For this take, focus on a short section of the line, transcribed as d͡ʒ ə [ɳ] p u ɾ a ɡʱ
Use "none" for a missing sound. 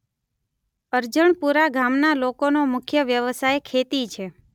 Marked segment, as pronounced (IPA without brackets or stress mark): ɳ